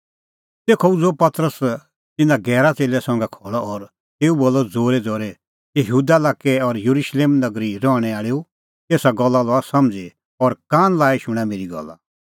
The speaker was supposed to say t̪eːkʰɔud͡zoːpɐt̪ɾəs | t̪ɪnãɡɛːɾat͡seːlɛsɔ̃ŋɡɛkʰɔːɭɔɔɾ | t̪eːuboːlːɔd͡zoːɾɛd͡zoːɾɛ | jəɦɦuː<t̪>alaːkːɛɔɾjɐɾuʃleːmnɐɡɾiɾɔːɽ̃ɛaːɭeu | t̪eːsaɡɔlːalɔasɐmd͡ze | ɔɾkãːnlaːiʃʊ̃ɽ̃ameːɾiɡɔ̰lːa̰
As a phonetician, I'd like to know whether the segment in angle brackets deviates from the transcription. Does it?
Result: yes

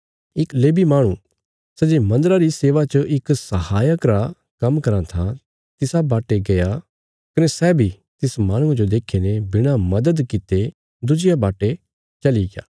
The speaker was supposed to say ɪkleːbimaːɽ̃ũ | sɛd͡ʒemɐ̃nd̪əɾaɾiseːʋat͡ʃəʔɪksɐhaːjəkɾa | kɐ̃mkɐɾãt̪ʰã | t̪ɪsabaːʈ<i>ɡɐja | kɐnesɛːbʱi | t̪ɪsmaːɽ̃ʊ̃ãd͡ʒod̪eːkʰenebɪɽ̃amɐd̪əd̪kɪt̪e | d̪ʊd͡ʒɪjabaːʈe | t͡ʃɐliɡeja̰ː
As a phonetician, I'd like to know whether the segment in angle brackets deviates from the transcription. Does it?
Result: yes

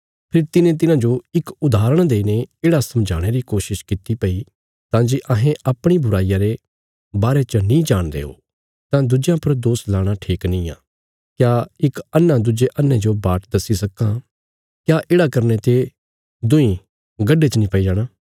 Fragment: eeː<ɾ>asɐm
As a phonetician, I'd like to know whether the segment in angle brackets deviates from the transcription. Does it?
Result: yes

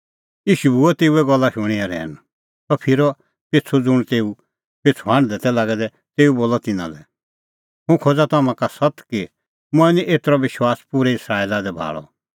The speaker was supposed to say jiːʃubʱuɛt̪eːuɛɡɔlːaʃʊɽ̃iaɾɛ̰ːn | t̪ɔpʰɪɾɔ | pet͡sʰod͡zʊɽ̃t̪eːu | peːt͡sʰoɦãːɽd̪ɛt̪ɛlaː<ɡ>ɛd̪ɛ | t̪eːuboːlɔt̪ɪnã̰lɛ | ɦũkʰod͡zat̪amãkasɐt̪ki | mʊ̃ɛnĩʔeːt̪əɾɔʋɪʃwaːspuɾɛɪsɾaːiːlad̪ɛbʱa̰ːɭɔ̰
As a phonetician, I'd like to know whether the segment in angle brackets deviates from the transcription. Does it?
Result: no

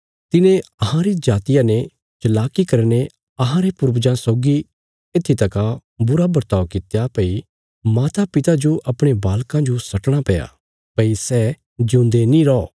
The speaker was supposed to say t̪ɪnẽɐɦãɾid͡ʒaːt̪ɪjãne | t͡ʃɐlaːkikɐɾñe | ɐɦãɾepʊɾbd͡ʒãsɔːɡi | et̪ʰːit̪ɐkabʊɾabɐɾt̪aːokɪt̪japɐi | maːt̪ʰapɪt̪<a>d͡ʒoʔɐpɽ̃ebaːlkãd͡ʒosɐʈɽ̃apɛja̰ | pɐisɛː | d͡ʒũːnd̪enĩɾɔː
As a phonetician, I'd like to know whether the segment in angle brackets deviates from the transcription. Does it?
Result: no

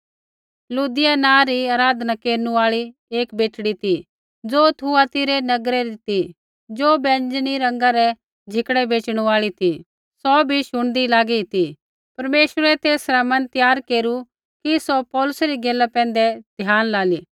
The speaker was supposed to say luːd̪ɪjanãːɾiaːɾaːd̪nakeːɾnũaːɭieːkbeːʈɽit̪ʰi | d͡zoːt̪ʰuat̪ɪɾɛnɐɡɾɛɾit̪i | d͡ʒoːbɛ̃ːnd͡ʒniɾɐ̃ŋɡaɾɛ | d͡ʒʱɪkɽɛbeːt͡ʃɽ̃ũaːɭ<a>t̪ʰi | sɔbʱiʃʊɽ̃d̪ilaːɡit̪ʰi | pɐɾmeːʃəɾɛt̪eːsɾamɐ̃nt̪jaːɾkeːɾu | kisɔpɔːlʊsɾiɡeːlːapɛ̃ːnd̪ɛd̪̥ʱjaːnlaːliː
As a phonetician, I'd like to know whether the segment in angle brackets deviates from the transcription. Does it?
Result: yes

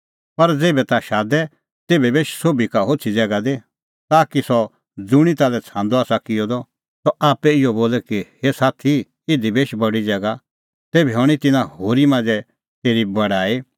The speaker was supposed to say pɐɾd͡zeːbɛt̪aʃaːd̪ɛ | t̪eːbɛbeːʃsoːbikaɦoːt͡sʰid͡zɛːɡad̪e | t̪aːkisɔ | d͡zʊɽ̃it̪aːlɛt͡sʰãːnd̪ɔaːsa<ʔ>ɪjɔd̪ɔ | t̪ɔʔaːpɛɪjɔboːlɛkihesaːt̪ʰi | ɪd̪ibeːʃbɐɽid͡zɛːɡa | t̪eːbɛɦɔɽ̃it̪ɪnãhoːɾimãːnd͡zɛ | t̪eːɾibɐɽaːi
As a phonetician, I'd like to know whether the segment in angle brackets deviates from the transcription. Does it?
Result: yes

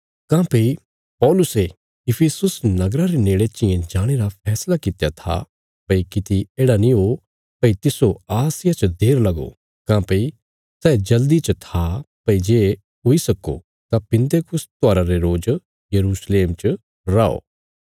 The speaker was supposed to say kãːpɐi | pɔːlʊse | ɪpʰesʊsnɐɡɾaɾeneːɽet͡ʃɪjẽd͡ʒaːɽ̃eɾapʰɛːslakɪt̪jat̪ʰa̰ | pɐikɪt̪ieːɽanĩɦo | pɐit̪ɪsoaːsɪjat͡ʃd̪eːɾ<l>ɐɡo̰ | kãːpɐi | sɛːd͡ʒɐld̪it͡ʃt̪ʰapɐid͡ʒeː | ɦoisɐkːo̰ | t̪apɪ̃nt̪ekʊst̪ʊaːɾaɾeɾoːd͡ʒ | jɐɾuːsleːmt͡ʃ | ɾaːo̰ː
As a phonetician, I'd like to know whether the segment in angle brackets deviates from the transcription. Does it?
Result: no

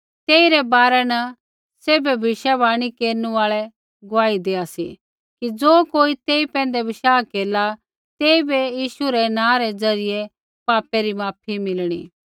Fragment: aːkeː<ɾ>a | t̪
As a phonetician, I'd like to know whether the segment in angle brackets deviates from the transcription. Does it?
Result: yes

